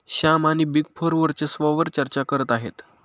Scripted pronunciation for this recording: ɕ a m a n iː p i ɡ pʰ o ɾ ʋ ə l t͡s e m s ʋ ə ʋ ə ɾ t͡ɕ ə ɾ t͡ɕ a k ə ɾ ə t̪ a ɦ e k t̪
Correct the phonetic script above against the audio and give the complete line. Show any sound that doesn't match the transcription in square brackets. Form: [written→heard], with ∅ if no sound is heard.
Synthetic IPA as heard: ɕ a m a n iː [p→b] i ɡ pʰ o ɾ ʋ ə [l→ɾ] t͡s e [m→∅] s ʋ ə ʋ ə ɾ t͡ɕ ə ɾ t͡ɕ a k ə ɾ ə t̪ a ɦ e [k→∅] t̪